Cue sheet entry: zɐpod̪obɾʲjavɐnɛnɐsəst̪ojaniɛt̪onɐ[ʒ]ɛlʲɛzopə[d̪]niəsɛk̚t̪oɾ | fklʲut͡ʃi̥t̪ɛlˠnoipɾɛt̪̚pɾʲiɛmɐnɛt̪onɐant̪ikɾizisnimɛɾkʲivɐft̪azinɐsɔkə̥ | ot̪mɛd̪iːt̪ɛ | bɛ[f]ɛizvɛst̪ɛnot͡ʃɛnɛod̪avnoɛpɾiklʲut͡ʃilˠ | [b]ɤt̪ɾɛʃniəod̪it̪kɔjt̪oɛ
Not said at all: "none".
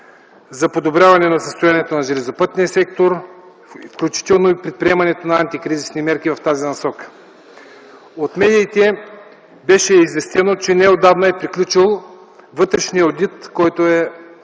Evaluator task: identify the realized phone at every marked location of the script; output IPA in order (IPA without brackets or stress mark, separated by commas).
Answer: ʒ, t̪, ʃ, v